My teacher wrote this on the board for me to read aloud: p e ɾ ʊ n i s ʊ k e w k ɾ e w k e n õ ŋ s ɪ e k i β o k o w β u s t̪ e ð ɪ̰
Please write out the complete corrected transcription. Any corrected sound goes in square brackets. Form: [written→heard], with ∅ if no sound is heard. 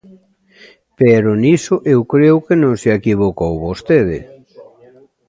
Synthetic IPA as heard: p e ɾ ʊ n i s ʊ [k→ʔ] e w k ɾ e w k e n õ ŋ s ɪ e k i β o k o w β [u→o] s t̪ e ð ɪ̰